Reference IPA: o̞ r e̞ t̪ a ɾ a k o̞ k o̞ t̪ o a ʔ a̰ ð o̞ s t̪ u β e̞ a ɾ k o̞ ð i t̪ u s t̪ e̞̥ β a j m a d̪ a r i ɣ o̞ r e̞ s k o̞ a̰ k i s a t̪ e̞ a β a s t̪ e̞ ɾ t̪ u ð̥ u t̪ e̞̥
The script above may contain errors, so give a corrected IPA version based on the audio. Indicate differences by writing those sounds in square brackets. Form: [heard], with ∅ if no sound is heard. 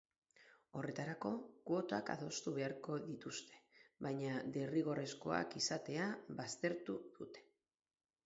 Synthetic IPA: o̞ r e̞ t̪ a ɾ a k o̞ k o̞ t̪ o a [k] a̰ ð o̞ s t̪ u β e̞ a ɾ k o̞ ð i t̪ u s t̪ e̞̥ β a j [ɲ] a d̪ [e] r i ɣ o̞ r e̞ s k o̞ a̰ k i s a t̪ e̞ a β a s t̪ e̞ ɾ t̪ u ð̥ u t̪ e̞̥